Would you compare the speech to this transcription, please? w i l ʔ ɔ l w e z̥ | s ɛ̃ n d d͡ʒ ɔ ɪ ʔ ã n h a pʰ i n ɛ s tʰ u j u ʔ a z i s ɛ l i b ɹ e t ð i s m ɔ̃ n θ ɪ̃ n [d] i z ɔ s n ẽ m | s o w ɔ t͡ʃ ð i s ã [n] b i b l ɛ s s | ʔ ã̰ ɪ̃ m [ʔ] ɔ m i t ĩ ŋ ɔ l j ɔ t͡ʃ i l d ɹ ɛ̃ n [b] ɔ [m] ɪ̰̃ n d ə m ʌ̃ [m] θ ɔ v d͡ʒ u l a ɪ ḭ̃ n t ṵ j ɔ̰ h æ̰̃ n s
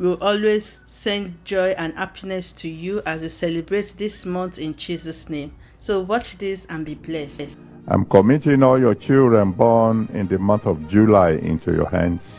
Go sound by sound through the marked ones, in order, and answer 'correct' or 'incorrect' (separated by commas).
incorrect, correct, incorrect, correct, incorrect, incorrect